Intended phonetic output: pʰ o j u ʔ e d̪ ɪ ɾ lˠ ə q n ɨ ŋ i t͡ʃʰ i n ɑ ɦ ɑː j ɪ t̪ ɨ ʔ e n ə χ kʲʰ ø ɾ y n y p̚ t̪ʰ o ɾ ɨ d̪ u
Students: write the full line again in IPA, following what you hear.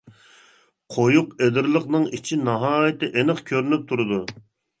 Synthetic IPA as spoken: qʰ o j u q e d̪ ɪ ɾ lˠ ə q n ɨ ŋ i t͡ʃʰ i n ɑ ɦ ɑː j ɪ t̪ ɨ ʔ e n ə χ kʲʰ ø ɾ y n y p̚ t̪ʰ u ɾ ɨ d̪ u